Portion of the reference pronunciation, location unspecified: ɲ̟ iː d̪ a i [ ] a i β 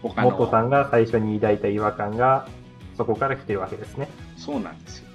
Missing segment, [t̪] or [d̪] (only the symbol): t̪